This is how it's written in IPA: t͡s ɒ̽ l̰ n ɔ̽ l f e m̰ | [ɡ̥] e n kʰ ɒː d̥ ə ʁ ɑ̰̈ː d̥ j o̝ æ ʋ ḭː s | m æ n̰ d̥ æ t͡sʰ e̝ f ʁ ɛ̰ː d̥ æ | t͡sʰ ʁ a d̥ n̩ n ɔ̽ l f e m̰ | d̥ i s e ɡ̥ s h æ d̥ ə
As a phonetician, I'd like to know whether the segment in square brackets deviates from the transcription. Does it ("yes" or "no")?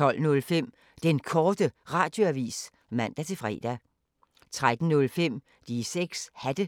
yes